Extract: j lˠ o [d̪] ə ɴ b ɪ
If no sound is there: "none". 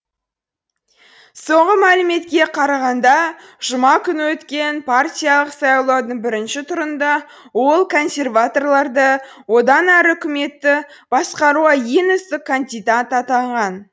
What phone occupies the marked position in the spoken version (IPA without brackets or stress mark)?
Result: d̪